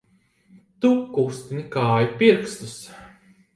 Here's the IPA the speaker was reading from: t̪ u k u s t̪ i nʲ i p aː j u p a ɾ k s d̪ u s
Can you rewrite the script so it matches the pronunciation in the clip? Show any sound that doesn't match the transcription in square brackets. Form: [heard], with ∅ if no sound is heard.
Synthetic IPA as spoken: t̪ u k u s t̪ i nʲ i [k] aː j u p [i] ɾ k s [t̪] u s